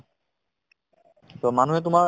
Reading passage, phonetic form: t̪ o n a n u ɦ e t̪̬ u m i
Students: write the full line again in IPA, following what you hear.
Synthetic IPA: t̪ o m a n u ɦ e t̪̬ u m a